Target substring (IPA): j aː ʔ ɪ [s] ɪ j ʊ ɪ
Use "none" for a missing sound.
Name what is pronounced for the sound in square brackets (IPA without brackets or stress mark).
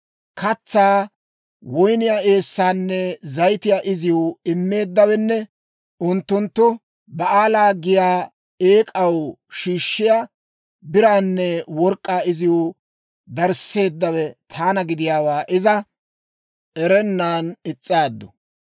z